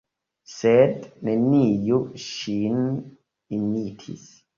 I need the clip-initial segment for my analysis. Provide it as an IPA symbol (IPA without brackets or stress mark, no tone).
s